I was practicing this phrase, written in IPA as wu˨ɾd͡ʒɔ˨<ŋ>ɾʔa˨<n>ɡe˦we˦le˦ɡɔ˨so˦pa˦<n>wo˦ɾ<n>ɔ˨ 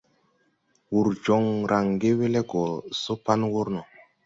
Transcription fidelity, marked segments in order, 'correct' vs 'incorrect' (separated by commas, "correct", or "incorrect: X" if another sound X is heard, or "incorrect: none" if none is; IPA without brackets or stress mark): correct, incorrect: ŋ, correct, correct